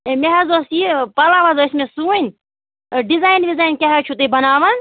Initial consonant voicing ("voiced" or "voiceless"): voiced